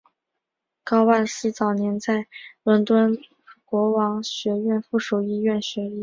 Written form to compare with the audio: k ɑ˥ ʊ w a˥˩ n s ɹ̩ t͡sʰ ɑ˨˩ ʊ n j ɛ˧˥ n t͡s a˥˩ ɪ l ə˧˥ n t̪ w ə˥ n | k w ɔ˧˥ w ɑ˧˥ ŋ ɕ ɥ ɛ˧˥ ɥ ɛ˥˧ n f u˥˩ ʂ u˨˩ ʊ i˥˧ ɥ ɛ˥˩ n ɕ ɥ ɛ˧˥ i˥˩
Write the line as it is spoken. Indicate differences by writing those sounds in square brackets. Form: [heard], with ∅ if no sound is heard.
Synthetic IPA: k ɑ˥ ʊ w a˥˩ n s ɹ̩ [t͡s] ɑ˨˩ ʊ n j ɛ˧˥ n t͡s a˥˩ ɪ l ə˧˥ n t̪ w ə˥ n | k w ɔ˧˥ w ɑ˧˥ ŋ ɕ ɥ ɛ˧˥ ɥ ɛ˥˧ n f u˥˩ ʂ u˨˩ ʊ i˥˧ ɥ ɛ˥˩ n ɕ ɥ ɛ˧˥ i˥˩

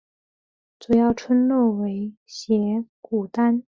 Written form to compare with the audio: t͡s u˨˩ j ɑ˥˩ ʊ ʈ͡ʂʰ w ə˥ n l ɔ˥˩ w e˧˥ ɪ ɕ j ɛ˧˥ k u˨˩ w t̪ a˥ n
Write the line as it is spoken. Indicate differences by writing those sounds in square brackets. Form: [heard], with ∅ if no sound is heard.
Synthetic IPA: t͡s u˨˩ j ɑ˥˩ ʊ ʈ͡ʂʰ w ə˥ n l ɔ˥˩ w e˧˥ ɪ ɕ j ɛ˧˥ k u˨˩ [∅] t̪ a˥ n

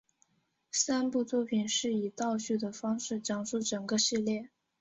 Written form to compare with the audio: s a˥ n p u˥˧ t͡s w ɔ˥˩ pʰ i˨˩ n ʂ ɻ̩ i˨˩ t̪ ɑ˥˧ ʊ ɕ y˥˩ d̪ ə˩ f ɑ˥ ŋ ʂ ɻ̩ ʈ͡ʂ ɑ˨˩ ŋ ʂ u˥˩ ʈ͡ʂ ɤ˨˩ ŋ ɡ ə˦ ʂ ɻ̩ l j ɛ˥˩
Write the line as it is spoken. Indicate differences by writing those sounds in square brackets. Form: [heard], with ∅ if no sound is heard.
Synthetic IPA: s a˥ n p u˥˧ t͡s w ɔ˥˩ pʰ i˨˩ n ʂ ɻ̩ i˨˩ t̪ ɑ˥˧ ʊ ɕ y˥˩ d̪ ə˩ f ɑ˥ ŋ ʂ ɻ̩ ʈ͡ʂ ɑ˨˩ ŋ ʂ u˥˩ ʈ͡ʂ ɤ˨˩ ŋ ɡ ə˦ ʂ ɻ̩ l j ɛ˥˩

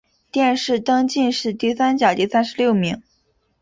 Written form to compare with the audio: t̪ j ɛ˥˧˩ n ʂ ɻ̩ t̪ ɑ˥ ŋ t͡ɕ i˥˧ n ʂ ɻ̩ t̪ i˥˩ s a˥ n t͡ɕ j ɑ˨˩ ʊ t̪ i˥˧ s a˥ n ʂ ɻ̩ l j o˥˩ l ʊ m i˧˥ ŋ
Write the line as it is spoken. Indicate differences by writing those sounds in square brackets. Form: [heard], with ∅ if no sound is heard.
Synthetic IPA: t̪ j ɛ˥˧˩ n ʂ ɻ̩ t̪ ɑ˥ ŋ t͡ɕ i˥˧ n ʂ ɻ̩ t̪ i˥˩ s a˥ n t͡ɕ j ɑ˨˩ ʊ t̪ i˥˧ s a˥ n ʂ ɻ̩ l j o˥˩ [∅] ʊ m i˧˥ ŋ

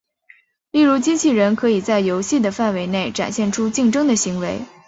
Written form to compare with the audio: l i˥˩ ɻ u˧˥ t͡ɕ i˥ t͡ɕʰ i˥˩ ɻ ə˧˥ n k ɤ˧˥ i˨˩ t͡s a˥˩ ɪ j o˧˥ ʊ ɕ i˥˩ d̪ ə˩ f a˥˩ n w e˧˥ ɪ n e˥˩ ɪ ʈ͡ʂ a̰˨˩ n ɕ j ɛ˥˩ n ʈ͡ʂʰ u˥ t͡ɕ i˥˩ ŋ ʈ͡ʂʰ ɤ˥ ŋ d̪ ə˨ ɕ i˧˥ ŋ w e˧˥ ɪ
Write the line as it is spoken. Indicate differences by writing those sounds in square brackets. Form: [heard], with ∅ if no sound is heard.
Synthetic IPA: l i˥˩ ɻ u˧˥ t͡ɕ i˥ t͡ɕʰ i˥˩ ɻ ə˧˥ n [kʰ] ɤ˧˥ i˨˩ t͡s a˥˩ ɪ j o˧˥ ʊ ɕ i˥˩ d̪ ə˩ f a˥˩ n w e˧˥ ɪ n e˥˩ ɪ ʈ͡ʂ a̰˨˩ n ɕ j ɛ˥˩ n ʈ͡ʂʰ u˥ t͡ɕ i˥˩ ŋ [ʈ͡ʂ] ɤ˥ ŋ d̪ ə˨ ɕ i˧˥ ŋ w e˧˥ ɪ

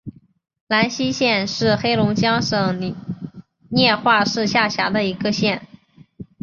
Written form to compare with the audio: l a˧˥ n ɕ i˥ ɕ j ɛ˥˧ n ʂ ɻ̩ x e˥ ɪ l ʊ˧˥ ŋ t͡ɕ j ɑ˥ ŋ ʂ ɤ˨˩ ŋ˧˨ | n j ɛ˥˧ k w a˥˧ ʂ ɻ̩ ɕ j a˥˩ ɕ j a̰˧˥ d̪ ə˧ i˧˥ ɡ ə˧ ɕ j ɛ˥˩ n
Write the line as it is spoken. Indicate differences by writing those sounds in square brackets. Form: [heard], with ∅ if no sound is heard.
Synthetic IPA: l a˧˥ n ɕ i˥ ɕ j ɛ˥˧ n ʂ ɻ̩ x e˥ ɪ l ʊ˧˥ ŋ t͡ɕ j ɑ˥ ŋ ʂ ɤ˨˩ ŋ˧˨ | n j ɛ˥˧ [x] w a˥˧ ʂ ɻ̩ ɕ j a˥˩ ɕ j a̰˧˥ d̪ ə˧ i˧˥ ɡ ə˧ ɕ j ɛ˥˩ n

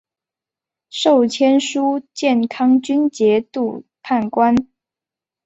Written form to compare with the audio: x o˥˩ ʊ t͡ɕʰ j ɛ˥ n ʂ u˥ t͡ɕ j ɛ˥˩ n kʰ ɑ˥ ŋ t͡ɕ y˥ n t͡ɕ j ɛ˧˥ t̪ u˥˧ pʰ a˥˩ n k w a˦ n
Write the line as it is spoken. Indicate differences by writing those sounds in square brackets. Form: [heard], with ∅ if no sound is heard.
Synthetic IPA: [ʂ] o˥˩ ʊ t͡ɕʰ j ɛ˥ n ʂ u˥ t͡ɕ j ɛ˥˩ n kʰ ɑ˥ ŋ t͡ɕ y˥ n t͡ɕ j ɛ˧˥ t̪ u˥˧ pʰ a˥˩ n k w a˦ n

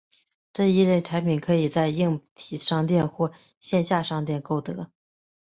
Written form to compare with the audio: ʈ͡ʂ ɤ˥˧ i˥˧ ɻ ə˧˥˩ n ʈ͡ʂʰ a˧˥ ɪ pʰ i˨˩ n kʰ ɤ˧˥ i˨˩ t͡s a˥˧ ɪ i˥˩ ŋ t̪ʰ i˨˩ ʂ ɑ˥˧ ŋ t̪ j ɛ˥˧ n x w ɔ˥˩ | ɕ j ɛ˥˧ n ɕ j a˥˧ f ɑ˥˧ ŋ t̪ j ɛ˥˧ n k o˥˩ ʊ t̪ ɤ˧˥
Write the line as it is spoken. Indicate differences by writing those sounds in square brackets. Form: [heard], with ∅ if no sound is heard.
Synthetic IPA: ʈ͡ʂ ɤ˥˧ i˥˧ ɻ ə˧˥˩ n ʈ͡ʂʰ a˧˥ ɪ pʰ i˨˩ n kʰ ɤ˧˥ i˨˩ t͡s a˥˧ ɪ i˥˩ ŋ t̪ʰ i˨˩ ʂ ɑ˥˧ ŋ t̪ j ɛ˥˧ n x w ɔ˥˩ | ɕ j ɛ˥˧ n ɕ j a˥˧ [ʂ] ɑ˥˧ ŋ t̪ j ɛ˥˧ n k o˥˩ ʊ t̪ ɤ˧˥

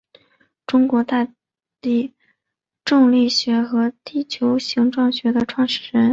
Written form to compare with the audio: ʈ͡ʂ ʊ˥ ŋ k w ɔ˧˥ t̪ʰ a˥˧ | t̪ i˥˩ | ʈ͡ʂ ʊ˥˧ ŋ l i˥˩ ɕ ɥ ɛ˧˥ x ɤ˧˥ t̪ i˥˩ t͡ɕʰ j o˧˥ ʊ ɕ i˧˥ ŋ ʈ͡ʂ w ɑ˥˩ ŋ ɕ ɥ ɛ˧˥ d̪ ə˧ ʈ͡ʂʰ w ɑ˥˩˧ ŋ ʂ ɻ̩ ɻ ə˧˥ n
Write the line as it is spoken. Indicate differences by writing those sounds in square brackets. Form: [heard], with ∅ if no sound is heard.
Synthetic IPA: ʈ͡ʂ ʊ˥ ŋ k w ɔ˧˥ [t̪] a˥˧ | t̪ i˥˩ | ʈ͡ʂ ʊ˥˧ ŋ l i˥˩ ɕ ɥ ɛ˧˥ x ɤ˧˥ t̪ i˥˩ t͡ɕʰ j o˧˥ ʊ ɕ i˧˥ ŋ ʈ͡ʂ w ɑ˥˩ ŋ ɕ ɥ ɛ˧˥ d̪ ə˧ ʈ͡ʂʰ w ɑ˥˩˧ ŋ ʂ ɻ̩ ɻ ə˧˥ n

